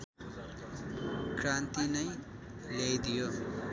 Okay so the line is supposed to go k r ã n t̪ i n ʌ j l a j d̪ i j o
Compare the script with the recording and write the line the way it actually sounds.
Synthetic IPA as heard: k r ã n t̪ i n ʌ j l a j d̪ i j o

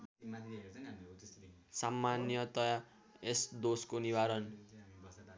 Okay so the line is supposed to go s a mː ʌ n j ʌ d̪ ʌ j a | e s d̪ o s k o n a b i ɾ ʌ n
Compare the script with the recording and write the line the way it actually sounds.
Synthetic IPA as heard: s a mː a n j ʌ t̪ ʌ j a | e s d̪ o s k o n i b a ɾ ʌ n

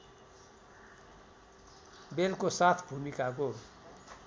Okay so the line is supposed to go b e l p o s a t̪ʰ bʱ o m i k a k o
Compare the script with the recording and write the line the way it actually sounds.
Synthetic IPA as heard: b e l k o s a t̪ʰ bʱ u m i k a k o

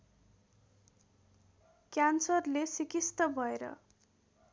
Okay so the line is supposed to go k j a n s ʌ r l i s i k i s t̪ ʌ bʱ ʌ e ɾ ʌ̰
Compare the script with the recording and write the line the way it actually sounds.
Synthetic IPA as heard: k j a n s ʌ r l e s i k i s t̪ ʌ bʱ ʌ e ɾ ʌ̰

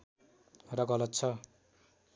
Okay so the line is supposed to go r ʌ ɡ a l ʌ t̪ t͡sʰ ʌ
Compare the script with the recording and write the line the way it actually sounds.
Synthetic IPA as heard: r ʌ ɡ ʌ l ʌ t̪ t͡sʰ ʌ

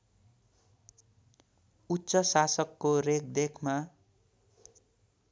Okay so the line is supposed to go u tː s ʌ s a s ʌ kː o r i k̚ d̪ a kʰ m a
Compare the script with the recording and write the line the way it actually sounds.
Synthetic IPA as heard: u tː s ʌ s a s ʌ kː o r e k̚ d̪ e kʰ m a

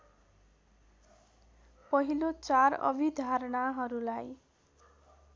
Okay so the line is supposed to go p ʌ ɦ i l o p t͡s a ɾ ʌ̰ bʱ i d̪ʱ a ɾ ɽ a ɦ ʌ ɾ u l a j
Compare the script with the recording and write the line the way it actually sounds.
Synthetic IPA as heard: p ʌ ɦ i l o t͡s a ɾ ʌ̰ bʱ i d̪ʱ a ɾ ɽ a ɦ ʌ ɾ u l a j

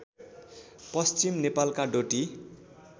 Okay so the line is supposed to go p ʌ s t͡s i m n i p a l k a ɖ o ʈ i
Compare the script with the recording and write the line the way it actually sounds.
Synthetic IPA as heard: p ʌ s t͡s i m n e p a l k a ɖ o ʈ i

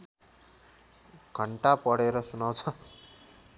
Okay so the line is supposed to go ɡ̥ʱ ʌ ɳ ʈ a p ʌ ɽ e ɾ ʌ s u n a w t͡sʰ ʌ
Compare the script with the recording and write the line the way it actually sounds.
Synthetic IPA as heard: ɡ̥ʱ ʌ ɳ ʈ a p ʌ ɽ e ɾ ʌ s u n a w t͡sʰ ʌ

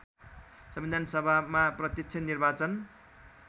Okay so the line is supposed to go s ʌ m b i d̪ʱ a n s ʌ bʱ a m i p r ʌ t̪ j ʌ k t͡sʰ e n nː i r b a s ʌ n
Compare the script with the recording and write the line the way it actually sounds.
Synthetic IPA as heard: s ʌ m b i d̪ʱ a n s ʌ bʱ a m a p r ʌ t̪ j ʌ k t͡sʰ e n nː i r b a t͡s ʌ n

